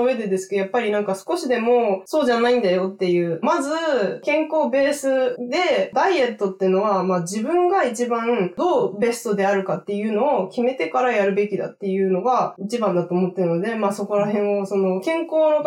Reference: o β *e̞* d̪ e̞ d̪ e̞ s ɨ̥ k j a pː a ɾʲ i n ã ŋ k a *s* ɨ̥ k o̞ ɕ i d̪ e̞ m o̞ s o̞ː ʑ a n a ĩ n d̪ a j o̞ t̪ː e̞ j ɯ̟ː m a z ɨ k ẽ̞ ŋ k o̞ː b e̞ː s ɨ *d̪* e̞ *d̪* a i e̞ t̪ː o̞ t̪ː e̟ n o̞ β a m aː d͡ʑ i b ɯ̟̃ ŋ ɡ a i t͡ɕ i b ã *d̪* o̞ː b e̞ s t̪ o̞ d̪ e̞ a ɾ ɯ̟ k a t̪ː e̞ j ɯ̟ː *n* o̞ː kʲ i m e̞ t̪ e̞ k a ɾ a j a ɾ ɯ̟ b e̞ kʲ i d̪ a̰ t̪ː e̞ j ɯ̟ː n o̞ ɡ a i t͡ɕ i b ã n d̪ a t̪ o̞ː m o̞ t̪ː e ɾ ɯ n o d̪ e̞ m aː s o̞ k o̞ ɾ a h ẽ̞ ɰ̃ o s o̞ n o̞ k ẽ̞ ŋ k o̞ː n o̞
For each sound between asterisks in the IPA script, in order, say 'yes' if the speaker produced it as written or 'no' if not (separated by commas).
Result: yes, yes, yes, yes, yes, yes